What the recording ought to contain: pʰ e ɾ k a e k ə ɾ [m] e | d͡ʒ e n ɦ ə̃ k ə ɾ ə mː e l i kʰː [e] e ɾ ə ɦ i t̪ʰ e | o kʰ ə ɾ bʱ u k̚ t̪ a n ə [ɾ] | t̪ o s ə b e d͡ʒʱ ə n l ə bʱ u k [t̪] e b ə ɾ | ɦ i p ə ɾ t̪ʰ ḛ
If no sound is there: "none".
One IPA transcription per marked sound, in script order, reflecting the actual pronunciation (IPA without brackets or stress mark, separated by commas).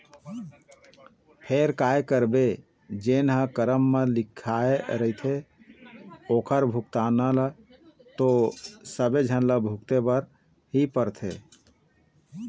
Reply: b, a, l, t̪